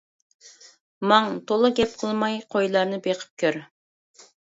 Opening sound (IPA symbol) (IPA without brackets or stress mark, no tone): m